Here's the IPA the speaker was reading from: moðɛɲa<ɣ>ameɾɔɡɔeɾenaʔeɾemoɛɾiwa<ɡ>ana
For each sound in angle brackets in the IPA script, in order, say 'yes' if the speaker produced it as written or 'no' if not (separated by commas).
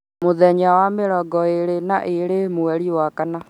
no, no